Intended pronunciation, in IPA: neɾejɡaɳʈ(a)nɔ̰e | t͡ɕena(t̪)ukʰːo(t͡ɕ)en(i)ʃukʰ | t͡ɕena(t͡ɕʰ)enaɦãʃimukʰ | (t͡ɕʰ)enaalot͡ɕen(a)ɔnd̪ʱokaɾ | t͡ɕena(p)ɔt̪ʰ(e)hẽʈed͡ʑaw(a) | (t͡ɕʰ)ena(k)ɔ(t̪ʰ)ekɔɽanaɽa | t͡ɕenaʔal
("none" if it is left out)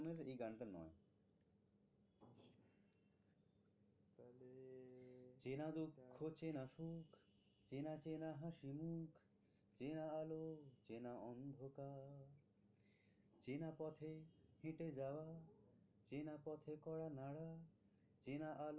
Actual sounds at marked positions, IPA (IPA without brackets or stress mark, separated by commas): a, d̪, t͡ɕ, a, t͡ɕ, t͡ɕ, a, p, e, a, t͡ɕ, p, t̪ʰ